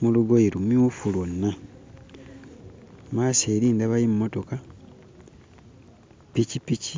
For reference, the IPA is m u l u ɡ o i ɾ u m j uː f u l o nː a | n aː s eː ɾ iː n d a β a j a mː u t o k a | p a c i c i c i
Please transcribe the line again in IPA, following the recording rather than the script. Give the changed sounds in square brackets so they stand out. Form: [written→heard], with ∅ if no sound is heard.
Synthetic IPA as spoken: m u l u ɡ o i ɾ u m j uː f u l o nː a | [n→m] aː s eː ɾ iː n d a β a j [a→i] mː [u→o] t o k a | p [a→i] c i [c→p] i c i